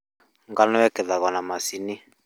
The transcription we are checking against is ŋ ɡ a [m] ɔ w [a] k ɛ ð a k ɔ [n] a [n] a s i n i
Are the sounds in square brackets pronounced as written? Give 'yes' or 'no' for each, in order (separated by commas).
no, no, yes, no